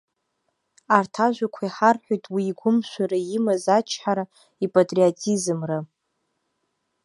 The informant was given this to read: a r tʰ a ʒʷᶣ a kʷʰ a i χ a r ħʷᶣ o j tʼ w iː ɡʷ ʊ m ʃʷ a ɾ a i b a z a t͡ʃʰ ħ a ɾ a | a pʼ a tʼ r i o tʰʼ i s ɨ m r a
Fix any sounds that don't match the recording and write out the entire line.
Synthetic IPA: a r tʰ a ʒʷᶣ a kʷʰ a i ħ a r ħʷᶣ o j tʼ w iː ɡʷ ʊ m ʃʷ a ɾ a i m a z a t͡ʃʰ ħ a ɾ a | i pʼ a tʼ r i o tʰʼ i z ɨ m r a